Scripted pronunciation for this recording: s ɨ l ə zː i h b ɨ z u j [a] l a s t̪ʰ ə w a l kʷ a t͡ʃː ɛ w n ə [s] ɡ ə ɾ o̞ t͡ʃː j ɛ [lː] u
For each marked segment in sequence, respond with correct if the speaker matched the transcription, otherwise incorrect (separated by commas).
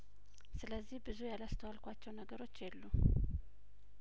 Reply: correct, incorrect, correct